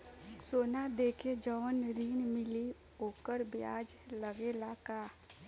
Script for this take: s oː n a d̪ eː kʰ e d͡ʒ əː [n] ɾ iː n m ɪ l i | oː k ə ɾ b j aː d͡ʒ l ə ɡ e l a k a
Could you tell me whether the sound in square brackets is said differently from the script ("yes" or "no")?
no